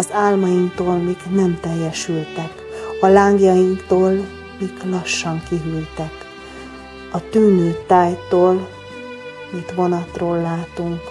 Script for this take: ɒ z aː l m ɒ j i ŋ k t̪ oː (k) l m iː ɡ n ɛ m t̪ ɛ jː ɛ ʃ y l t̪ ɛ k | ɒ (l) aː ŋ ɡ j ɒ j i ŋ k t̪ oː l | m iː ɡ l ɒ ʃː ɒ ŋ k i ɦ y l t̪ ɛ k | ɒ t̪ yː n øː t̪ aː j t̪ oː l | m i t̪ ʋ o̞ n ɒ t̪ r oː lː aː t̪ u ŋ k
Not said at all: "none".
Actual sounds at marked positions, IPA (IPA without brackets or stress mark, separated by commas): none, l